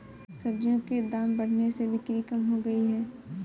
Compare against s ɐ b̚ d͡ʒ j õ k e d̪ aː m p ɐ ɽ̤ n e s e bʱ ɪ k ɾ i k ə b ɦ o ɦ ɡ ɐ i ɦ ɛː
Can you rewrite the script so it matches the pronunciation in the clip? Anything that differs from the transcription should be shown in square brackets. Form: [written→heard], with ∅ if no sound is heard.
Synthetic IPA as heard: s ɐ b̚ d͡ʒ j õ k e d̪ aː m [p→b] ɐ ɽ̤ n e s e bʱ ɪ k ɾ i k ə [b→m] ɦ o [ɦ→∅] ɡ ɐ i ɦ ɛː